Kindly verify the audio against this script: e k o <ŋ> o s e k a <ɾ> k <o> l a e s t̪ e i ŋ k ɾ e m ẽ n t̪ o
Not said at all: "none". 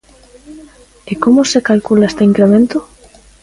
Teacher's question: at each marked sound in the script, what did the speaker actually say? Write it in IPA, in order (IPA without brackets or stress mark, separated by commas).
m, l, u